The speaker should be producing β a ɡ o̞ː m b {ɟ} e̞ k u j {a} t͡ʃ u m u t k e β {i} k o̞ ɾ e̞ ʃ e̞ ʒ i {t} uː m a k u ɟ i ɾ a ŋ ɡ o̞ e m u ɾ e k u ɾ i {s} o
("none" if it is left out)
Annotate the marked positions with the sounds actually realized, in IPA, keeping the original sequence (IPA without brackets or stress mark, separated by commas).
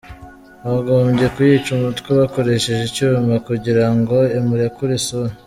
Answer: ɟ, i, a, c, s